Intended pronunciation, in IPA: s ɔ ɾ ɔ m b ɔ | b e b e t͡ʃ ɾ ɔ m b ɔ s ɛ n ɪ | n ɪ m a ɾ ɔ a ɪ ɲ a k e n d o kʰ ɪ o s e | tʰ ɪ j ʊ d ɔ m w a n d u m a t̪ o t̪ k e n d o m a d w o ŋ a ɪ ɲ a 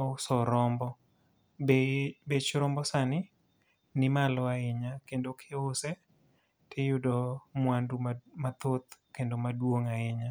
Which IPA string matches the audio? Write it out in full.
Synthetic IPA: s ɔ ɾ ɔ m b ɔ | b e b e t͡ʃ ɾ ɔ m b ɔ s a n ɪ | n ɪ m a l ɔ a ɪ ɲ a k e n d o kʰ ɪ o s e | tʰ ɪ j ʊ d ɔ m w a n d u m a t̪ o t̪ k e n d o m a d w o ŋ a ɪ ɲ a